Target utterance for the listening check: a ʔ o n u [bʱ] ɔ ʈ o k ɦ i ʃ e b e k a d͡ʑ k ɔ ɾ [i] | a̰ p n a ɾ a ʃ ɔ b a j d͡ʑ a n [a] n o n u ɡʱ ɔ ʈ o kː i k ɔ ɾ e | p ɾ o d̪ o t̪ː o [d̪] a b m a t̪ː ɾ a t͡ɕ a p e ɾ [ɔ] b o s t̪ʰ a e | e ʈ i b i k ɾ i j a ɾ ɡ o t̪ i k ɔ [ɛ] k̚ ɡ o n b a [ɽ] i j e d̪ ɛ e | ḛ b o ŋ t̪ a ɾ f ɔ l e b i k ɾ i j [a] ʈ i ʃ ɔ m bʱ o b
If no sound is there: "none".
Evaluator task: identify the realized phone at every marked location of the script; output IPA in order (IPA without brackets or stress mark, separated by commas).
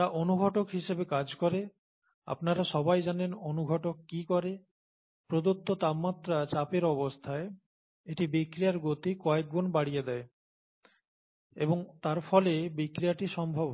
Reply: ɡʱ, e, e, t̪, ɔ, e, ɽ, a